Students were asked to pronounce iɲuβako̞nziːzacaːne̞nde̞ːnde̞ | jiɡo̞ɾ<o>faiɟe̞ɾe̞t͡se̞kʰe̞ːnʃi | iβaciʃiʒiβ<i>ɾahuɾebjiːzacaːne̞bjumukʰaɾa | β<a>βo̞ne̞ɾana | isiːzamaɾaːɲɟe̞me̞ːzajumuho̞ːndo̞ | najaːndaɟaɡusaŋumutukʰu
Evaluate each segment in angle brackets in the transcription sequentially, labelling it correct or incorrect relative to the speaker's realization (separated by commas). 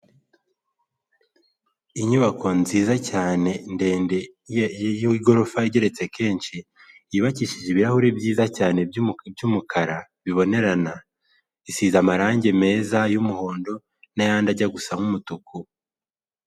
correct, correct, incorrect